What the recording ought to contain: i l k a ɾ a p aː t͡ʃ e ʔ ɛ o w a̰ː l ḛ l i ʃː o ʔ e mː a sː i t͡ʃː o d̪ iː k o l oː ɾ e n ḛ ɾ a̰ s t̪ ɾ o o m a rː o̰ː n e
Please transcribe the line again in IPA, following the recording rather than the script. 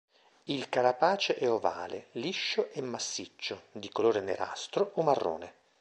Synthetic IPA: i l k a ɾ a p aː t͡ʃ e ʔ ɛ o v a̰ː l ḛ l i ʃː o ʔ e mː a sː i t͡ʃː o d̪ i k o l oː ɾ e n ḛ ɾ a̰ s t̪ ɾ o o m a rː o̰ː n e